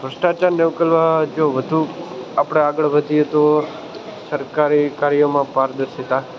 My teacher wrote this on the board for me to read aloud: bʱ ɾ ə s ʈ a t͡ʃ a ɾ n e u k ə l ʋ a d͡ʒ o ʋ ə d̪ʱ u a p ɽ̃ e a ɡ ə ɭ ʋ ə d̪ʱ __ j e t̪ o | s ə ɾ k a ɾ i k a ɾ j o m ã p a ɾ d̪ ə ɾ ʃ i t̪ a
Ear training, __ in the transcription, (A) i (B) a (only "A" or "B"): A